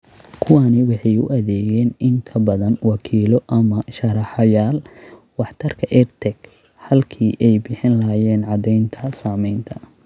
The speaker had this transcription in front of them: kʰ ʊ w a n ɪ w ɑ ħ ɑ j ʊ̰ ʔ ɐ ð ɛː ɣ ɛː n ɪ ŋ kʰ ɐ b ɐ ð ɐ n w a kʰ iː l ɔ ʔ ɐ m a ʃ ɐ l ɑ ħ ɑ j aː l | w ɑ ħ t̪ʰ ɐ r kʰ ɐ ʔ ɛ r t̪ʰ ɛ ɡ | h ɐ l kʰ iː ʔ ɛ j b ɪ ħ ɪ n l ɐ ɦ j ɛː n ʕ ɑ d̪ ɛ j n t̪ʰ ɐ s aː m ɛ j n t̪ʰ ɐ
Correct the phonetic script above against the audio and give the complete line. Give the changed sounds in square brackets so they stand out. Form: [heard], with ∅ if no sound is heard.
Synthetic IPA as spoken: kʰ ʊ w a n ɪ w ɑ ħ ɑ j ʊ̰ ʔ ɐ ð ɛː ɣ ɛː n ɪ ŋ kʰ ɐ b ɐ ð ɐ n w [ɑ] kʰ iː l ɔ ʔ ɐ m [ɐ] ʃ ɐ [ɾ] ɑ ħ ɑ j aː l | w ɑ ħ t̪ʰ ɐ r kʰ ɐ ʔ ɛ r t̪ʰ ɛ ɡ | h ɐ l kʰ iː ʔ ɛ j b ɪ ħ ɪ n l ɐ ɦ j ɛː n ʕ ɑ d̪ ɛ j n t̪ʰ ɐ s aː m ɛ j n t̪ʰ ɐ